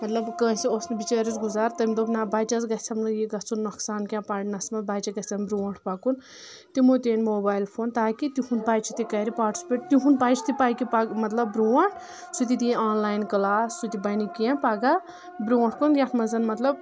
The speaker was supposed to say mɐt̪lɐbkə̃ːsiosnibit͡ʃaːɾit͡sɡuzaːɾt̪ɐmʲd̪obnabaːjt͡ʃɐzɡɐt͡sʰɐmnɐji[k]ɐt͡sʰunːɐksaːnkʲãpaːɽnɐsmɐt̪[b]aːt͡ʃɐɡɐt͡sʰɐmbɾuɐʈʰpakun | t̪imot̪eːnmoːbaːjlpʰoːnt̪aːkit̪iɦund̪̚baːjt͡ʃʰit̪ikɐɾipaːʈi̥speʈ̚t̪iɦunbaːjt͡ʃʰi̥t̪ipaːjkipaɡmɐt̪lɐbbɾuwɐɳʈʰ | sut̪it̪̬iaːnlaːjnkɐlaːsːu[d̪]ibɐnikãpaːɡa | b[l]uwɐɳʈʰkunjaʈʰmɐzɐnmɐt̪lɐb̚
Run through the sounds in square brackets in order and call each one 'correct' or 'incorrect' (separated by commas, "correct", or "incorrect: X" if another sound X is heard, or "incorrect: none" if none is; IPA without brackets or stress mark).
incorrect: ɡ, correct, incorrect: t̪, incorrect: ɾ